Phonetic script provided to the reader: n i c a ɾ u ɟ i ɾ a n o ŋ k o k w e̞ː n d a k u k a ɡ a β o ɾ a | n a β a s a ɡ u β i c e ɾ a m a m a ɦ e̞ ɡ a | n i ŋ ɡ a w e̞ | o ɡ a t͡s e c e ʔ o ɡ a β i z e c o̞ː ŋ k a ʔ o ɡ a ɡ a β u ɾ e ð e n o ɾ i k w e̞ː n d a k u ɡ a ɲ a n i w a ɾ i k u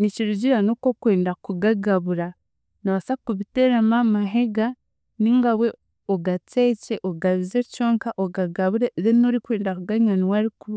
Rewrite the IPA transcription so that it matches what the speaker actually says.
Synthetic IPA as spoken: n i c i ɾ u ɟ i ɾ a n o k o k w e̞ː n d a k u ɡ a ɡ a β u ɾ a | n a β a s a k u β i t e ɾ a m a m a ɦ e̞ ɡ a | n i ŋ ɡ a w e̞ | o ɡ a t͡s e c e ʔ o ɡ a β i z e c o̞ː ŋ k a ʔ o ɡ a ɡ a β u ɾ e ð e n o ɾ i k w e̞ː n d a k u ɡ a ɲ a n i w a ɾ i k u